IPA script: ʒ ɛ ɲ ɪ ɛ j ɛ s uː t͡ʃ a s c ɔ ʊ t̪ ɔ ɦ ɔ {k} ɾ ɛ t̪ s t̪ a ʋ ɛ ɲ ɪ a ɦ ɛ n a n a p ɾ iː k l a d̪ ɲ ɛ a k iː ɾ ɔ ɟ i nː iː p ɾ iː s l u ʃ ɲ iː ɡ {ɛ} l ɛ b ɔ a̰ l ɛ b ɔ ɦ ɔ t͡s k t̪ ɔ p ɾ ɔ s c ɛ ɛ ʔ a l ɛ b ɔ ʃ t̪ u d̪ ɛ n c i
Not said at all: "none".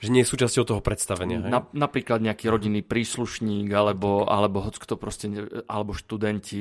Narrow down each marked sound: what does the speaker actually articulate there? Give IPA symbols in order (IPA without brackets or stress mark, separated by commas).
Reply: p, a